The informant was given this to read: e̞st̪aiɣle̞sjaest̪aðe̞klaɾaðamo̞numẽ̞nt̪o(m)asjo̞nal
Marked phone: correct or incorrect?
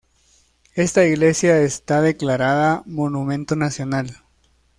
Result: incorrect: n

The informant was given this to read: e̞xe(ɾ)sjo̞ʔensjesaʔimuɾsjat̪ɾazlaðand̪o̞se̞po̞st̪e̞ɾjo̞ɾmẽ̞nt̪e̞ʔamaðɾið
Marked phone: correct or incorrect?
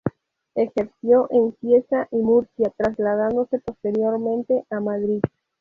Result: correct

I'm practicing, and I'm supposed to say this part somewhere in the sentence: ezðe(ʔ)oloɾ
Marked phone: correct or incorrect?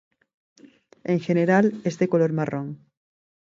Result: incorrect: k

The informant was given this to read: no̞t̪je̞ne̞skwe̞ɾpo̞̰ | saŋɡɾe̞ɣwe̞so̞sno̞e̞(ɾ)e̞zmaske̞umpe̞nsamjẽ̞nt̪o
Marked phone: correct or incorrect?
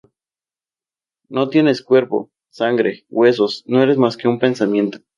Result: correct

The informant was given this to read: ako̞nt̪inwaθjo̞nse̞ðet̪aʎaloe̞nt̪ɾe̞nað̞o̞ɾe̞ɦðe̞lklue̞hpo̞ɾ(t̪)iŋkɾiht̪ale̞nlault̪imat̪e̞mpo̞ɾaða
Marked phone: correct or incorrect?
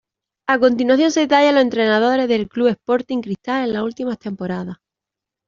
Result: correct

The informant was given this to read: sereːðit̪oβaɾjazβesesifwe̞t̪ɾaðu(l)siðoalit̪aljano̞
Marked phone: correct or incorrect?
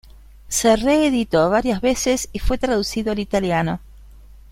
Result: incorrect: none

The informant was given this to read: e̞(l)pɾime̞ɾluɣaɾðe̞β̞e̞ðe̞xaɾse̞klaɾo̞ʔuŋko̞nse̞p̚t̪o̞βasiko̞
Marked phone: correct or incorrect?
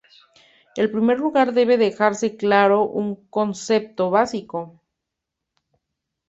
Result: correct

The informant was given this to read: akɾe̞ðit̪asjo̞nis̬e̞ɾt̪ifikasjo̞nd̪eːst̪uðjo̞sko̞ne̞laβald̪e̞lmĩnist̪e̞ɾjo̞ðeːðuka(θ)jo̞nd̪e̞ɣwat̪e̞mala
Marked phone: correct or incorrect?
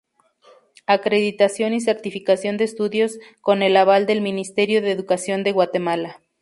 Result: incorrect: s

